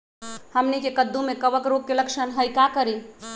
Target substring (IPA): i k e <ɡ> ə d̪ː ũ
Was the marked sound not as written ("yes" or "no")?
yes